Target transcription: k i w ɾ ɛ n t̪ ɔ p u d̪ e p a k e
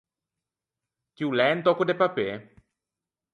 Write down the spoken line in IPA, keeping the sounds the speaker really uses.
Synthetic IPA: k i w l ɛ n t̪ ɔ k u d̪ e p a p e